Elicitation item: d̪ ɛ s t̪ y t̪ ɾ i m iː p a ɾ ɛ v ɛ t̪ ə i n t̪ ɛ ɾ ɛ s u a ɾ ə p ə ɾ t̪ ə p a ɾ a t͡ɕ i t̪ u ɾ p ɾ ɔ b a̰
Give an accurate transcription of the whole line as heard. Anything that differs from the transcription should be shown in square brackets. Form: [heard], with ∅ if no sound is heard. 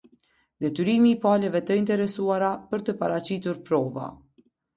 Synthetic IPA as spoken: d̪ ɛ [∅] t̪ y [∅] ɾ i m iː p a [l] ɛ v ɛ t̪ ə i n t̪ ɛ ɾ ɛ s u a ɾ [a] p ə ɾ t̪ ə p a ɾ a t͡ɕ i t̪ u ɾ p ɾ ɔ [v] a̰